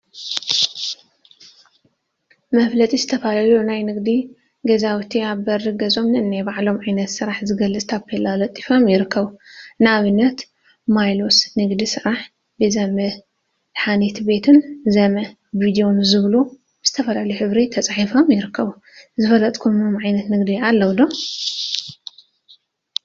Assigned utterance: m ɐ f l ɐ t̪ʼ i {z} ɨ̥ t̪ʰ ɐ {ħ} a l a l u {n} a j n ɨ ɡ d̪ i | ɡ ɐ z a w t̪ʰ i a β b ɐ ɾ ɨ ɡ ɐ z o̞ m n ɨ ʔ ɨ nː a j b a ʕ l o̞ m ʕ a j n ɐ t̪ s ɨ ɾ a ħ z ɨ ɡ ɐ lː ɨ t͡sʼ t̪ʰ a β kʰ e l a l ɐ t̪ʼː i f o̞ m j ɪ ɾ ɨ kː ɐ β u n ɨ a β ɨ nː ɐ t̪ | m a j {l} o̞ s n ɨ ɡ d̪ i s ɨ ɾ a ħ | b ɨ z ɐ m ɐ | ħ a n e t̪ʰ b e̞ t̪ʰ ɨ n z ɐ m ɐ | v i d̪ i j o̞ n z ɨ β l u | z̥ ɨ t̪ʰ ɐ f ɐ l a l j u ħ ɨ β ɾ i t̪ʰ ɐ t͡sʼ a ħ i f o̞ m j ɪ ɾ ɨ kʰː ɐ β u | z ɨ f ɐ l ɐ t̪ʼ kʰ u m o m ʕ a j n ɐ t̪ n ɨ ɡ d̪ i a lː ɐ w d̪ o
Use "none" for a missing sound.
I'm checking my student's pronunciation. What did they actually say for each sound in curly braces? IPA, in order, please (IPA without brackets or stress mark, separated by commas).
z, f, n, l